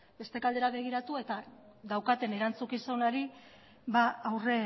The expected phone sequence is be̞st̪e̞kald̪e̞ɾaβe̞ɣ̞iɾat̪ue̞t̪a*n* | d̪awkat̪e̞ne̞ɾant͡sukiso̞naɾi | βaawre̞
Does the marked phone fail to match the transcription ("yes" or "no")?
yes